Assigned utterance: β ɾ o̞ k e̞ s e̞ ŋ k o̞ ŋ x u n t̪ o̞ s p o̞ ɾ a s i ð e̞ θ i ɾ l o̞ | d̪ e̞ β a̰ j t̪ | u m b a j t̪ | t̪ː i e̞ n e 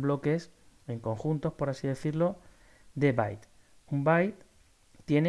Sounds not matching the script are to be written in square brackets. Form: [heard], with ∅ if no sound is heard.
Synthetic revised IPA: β [l] o̞ k e̞ s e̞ ŋ k o̞ ŋ x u n t̪ o̞ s p o̞ ɾ a s i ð e̞ θ i ɾ l o̞ | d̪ e̞ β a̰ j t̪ | u m b a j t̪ | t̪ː [j] e̞ n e